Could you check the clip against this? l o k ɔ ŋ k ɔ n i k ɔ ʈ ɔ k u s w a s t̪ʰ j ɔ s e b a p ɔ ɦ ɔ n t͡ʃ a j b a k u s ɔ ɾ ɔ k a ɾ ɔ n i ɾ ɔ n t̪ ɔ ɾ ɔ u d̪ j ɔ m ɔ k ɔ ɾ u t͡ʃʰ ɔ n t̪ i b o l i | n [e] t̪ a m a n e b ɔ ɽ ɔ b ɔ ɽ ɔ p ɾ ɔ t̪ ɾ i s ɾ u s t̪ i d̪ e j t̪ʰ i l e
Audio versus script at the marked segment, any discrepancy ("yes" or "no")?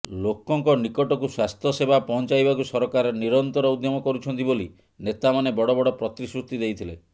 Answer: no